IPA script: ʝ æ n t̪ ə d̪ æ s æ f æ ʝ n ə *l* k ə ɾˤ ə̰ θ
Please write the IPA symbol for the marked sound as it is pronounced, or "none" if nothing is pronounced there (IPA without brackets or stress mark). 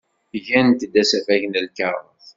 l